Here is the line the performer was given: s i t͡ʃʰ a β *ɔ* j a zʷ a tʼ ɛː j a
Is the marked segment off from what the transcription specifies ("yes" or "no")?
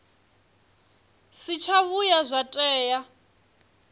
yes